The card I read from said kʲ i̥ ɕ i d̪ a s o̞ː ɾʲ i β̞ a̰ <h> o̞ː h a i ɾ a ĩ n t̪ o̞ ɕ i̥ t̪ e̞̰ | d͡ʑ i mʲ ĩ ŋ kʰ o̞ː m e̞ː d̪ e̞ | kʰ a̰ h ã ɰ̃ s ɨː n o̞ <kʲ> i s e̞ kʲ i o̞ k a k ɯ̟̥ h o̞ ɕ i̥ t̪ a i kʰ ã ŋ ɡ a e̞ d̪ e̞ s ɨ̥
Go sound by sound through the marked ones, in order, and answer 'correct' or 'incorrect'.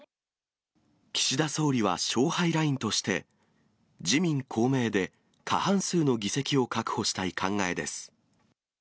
incorrect: ɕ, incorrect: ɡʲ

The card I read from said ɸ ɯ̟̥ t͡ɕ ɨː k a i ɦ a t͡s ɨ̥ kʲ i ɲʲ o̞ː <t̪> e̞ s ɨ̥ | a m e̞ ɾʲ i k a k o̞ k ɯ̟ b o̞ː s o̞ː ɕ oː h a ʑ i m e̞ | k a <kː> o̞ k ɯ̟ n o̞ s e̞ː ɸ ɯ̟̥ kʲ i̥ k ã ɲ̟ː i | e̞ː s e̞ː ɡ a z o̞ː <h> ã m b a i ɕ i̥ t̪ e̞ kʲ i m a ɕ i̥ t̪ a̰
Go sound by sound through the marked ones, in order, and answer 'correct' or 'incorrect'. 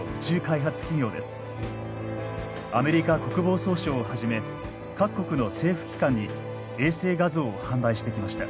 incorrect: d̪, correct, correct

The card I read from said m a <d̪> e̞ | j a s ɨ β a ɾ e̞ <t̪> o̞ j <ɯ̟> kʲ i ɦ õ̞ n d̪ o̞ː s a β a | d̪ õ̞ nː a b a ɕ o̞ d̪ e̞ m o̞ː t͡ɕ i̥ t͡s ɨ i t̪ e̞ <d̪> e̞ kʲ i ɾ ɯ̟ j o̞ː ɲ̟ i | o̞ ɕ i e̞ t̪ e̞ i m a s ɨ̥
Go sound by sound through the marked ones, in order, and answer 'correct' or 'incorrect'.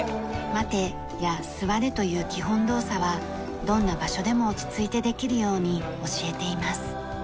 incorrect: t̪, correct, incorrect: ɯ̟ː, correct

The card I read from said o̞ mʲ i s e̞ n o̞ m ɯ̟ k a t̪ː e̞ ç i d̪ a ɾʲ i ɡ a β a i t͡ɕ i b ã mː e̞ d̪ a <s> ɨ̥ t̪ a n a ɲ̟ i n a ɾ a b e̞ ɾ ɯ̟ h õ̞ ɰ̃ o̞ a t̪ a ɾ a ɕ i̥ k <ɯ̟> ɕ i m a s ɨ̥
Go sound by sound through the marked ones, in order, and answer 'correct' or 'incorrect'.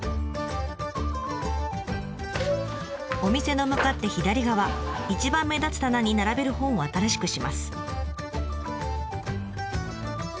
incorrect: t͡s, correct

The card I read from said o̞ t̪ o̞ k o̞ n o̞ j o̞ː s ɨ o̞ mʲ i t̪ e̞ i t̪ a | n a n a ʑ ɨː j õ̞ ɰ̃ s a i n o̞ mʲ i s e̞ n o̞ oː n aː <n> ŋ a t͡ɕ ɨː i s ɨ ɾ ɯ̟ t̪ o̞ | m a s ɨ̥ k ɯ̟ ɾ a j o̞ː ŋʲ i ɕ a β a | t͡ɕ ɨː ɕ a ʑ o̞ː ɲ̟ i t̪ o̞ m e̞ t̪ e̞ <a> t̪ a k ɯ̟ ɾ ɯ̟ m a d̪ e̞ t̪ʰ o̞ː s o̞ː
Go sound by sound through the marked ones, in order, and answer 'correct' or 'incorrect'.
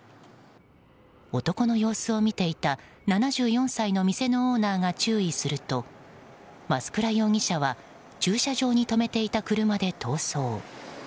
incorrect: none, incorrect: i

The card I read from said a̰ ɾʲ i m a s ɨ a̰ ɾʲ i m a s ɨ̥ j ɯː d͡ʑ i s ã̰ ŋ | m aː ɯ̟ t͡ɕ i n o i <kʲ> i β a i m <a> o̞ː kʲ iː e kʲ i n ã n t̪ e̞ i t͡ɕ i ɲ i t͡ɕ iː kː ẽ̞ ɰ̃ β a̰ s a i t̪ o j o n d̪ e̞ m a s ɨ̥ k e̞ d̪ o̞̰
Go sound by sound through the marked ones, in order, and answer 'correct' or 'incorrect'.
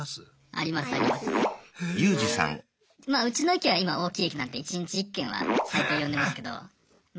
correct, correct

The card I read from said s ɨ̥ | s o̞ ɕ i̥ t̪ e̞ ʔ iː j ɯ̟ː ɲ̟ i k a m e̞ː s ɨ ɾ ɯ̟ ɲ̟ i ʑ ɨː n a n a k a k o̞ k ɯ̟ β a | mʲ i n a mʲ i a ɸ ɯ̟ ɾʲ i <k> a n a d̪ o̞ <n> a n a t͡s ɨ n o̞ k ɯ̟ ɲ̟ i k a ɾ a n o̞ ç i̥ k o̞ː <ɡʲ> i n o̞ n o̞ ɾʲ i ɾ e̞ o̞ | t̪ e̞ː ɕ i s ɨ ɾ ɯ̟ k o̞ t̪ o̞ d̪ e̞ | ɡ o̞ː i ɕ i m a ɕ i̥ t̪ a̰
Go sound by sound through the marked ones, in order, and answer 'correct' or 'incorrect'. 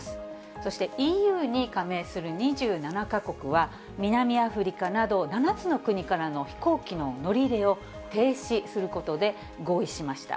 correct, correct, incorrect: kʲ

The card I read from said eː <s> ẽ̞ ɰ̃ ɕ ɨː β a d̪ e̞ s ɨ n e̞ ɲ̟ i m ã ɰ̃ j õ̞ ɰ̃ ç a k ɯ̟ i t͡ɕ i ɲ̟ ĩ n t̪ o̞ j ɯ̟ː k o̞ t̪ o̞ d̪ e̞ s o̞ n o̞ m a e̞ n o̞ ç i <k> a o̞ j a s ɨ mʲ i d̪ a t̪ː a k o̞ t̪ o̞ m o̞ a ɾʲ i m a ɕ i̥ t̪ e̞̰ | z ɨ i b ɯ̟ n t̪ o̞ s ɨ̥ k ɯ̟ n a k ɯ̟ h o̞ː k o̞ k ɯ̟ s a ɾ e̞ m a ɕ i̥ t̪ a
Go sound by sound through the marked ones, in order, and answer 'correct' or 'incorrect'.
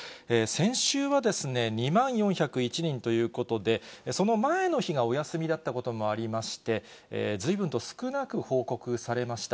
correct, incorrect: ɡ

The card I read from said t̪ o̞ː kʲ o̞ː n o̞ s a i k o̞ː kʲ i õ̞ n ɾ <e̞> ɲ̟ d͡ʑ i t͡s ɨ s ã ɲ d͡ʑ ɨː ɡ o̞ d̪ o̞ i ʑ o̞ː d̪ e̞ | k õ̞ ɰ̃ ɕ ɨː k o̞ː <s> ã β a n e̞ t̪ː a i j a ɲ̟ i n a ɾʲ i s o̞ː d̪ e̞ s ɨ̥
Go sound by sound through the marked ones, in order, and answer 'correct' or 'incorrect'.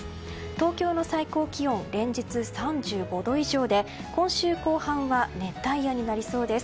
incorrect: ẽ̞, incorrect: h

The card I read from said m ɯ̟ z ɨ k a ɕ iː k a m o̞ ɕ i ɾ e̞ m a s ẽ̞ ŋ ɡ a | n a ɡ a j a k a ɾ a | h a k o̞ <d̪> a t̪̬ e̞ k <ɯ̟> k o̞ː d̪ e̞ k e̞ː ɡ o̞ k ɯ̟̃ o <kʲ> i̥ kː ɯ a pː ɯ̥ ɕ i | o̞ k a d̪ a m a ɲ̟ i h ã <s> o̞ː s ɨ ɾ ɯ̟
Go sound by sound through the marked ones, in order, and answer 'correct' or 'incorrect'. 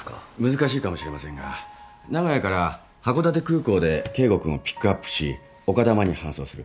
correct, incorrect: ɯ̟ː, incorrect: pʲ, correct

